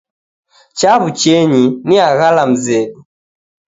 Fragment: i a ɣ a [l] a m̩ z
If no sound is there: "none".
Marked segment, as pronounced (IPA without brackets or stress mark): l